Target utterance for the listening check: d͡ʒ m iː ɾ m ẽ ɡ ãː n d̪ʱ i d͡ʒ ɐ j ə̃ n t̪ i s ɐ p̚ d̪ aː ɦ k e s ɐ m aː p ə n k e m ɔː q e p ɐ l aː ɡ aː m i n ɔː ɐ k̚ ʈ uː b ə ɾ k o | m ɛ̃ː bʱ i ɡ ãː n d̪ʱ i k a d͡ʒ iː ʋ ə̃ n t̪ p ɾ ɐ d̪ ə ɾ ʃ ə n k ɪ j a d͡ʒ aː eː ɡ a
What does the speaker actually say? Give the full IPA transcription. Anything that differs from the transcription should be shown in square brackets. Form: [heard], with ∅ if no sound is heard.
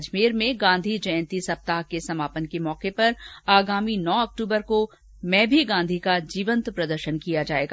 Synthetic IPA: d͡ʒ m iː ɾ m ẽ ɡ ãː n d̪ʱ i d͡ʒ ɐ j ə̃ n t̪ i s ɐ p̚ [t̪] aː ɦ k e s ɐ m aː p ə n k e m ɔː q e p ɐ [ɾ] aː ɡ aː m i n ɔː ɐ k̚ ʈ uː b ə ɾ k o | m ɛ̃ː bʱ i ɡ ãː n d̪ʱ i k a d͡ʒ iː ʋ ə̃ n t̪ p ɾ ɐ d̪ ə ɾ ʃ ə n k [i] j a d͡ʒ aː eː ɡ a